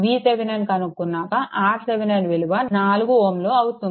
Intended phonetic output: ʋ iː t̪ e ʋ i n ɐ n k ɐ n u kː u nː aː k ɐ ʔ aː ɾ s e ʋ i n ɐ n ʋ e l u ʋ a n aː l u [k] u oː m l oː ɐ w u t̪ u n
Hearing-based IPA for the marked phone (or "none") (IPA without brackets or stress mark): ɡ